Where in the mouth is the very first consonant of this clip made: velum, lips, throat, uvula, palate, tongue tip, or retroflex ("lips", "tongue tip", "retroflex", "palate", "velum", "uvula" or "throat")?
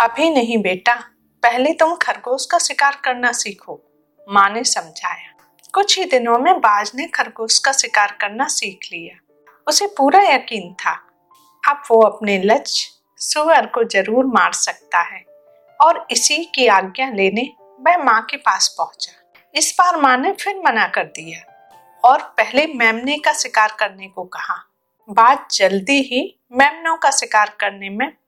lips